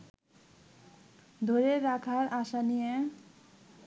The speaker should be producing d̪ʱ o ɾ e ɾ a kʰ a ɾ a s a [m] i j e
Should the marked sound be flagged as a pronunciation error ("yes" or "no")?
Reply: yes